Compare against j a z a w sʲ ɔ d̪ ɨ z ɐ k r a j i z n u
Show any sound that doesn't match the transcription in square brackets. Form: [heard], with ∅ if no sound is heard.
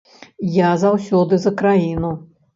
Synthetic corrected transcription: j a z a w sʲ ɔ d̪ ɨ z ɐ k [ɾ] a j i [∅] n u